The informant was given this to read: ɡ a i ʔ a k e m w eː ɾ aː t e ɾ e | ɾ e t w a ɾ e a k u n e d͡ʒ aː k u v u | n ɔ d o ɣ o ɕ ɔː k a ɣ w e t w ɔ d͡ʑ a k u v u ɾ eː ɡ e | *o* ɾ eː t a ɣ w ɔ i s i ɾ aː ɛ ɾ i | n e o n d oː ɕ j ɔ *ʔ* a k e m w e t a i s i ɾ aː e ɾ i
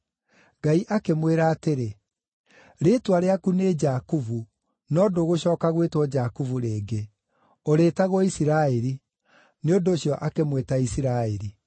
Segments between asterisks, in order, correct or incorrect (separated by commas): correct, correct